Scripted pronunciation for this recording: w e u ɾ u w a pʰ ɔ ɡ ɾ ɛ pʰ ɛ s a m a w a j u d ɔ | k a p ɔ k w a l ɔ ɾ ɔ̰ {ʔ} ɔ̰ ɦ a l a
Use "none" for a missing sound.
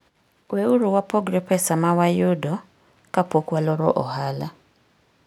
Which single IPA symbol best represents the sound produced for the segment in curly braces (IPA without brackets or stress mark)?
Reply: ʔ